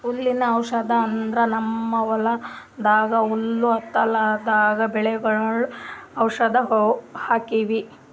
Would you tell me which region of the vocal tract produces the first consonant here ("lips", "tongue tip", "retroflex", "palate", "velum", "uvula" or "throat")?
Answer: tongue tip